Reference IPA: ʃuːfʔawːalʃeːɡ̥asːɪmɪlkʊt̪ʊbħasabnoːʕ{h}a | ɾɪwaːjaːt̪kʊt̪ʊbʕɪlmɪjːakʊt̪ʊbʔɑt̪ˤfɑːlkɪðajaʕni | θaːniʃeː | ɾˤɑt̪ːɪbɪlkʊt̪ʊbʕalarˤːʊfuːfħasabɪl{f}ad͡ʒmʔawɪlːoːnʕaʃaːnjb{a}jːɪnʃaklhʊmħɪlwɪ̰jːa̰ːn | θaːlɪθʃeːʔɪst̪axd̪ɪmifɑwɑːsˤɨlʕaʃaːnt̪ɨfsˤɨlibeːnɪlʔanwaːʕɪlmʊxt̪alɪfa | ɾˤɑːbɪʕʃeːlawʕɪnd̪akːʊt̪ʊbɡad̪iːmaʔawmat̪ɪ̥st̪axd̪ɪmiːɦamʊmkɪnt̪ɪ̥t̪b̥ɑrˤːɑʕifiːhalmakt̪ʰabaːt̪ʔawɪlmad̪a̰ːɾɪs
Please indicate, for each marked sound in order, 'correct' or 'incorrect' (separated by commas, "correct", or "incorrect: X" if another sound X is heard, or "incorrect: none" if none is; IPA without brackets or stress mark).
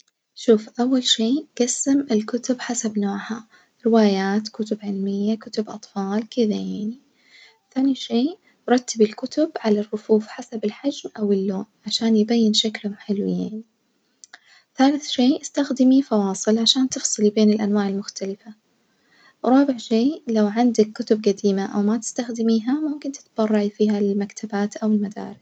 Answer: correct, incorrect: ħ, correct